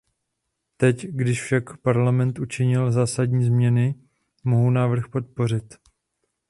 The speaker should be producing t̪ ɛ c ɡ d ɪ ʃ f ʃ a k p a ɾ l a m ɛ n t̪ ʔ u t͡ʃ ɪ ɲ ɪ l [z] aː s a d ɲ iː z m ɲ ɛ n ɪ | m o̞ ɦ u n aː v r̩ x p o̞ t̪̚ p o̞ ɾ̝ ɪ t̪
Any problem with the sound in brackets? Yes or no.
no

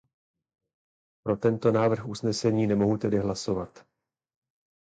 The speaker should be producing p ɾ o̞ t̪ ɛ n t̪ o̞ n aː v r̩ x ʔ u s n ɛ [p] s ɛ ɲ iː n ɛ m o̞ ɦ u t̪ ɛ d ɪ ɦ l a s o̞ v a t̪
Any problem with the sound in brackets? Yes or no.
yes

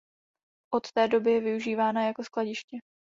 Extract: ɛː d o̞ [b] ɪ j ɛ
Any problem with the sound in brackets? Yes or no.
no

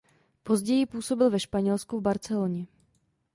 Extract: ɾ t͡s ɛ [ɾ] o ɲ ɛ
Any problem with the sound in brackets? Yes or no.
yes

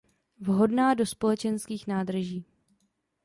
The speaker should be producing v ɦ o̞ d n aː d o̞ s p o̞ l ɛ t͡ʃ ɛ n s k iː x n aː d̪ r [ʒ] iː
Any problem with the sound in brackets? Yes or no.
no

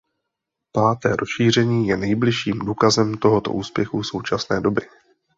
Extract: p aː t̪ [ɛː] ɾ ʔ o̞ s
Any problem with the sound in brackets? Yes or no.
no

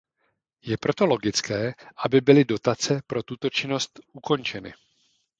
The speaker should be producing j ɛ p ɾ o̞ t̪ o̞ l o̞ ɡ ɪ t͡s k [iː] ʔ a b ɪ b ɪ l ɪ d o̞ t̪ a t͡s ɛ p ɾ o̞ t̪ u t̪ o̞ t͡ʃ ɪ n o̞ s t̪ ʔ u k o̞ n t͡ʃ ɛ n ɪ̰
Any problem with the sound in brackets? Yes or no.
yes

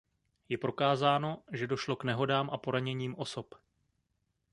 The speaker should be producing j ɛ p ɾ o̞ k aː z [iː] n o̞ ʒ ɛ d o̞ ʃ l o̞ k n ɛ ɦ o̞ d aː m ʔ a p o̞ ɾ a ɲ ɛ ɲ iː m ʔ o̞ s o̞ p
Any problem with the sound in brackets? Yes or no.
yes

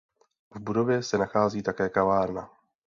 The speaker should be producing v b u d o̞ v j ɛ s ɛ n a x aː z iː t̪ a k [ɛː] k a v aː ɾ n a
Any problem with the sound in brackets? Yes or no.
no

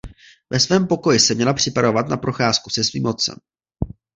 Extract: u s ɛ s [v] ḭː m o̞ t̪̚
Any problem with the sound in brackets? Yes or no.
no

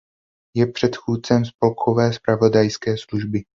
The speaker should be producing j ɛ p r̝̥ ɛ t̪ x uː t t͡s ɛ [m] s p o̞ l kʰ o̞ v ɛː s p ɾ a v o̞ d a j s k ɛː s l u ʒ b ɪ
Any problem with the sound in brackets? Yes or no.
no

